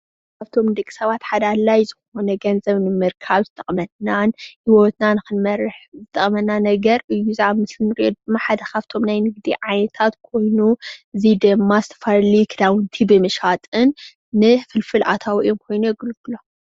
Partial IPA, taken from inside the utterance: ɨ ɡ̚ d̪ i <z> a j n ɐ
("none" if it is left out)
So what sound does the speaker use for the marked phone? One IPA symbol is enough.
ʕ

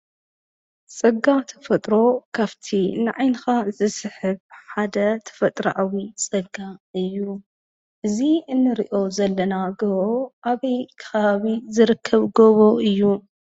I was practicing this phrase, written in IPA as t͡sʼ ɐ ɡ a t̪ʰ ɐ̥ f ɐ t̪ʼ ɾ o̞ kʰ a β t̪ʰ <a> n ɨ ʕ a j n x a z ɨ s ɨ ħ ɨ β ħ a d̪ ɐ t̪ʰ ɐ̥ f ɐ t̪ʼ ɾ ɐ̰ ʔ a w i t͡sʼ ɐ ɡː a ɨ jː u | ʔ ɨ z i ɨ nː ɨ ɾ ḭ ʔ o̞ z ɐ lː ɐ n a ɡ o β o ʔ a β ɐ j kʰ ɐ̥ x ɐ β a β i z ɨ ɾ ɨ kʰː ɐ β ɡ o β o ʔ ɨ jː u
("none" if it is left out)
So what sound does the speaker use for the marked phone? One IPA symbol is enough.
i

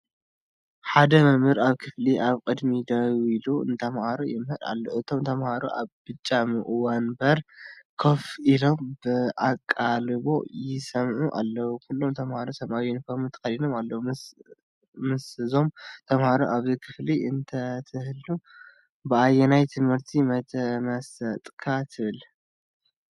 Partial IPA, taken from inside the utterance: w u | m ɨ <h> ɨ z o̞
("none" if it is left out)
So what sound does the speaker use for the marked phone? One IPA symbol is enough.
s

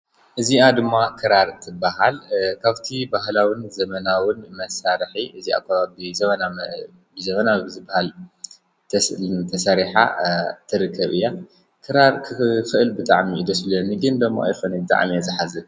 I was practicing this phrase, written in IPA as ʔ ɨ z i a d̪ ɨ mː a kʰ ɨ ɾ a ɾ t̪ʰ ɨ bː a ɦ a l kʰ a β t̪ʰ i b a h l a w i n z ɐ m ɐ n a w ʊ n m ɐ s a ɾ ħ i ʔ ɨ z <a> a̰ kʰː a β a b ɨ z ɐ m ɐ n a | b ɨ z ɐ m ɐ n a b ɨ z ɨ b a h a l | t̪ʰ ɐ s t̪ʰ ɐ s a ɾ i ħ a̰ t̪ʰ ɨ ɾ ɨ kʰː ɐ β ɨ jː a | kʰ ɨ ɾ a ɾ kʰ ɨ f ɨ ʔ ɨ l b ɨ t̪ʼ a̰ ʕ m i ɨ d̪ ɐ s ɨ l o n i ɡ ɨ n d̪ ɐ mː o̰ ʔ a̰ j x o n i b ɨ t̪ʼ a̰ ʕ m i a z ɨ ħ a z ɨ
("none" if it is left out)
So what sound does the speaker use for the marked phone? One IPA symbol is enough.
i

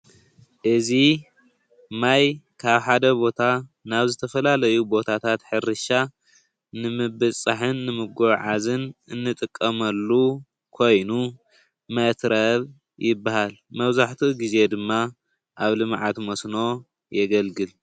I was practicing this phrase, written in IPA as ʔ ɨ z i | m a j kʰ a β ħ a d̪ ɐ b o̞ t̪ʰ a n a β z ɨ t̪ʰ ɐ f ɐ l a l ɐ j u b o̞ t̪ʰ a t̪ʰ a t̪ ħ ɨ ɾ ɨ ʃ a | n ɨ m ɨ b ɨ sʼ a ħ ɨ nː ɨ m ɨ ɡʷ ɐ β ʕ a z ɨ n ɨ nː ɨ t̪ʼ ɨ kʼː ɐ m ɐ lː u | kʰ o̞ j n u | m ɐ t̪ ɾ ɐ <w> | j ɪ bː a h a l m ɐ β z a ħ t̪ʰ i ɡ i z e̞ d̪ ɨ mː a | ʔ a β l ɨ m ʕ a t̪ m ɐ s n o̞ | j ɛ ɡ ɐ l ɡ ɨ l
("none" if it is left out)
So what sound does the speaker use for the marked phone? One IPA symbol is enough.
β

